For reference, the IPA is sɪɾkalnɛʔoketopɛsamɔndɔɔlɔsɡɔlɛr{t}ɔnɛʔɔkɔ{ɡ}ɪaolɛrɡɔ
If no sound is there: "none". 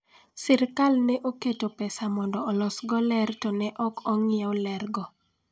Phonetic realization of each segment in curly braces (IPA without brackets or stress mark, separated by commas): t, ŋ